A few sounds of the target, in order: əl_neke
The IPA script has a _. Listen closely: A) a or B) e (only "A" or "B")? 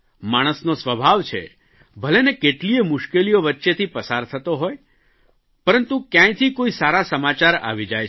B